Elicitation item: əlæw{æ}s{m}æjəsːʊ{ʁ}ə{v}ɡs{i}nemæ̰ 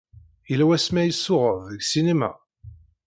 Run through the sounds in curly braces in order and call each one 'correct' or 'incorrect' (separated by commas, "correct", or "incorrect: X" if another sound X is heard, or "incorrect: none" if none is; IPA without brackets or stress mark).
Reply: correct, correct, correct, correct, correct